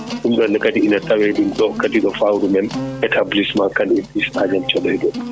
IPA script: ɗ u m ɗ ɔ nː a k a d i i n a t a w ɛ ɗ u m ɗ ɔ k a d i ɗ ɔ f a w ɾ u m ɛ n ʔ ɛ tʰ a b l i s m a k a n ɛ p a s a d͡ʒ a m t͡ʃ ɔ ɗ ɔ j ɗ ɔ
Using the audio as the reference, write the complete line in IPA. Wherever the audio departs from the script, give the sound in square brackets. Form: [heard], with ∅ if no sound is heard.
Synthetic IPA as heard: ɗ u m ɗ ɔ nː [ɛ] k a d i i n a t a w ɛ ɗ u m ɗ ɔ k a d i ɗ ɔ f a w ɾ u m ɛ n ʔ ɛ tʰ a b l i s m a k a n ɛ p [i] s a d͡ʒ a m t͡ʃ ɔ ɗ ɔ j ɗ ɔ